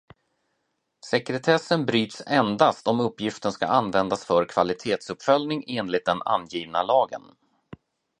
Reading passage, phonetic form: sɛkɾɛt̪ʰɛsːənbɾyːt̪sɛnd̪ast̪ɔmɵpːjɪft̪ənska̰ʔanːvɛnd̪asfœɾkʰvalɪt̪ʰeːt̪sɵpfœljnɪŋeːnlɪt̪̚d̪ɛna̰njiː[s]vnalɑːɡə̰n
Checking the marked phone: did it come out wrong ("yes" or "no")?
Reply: yes